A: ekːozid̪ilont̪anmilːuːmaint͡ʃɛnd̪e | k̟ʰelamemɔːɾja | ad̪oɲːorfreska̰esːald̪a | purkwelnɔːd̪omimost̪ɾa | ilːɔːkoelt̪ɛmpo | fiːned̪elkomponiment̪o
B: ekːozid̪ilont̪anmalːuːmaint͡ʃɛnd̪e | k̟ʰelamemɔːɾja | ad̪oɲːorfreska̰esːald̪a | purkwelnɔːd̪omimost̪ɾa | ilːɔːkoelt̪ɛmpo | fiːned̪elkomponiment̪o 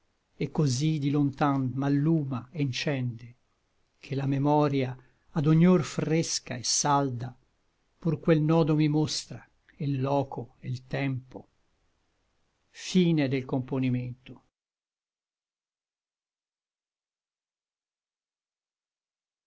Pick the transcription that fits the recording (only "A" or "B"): B